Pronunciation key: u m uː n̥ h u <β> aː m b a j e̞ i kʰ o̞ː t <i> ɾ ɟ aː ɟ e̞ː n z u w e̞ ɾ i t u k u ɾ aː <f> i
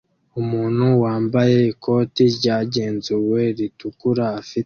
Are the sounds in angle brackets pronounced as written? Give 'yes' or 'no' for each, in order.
no, yes, yes

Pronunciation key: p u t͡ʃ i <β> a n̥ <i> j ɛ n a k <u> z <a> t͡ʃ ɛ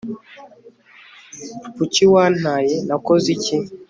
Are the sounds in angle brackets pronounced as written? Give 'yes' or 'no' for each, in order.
no, no, no, no

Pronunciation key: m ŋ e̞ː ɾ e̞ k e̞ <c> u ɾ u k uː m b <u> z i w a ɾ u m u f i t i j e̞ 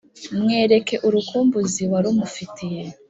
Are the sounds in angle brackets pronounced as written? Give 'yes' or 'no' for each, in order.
no, yes

